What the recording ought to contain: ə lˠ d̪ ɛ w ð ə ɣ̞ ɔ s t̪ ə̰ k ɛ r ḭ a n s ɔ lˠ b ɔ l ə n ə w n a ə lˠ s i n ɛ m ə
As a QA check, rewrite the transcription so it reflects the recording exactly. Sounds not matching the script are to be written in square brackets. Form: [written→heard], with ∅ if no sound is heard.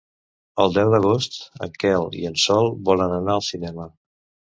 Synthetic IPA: ə lˠ d̪ ɛ w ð ə ɣ̞ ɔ s t̪ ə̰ k ɛ [r→l] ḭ [a→ə] n s ɔ lˠ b ɔ l ə n ə [w→∅] n a ə lˠ s i n ɛ m ə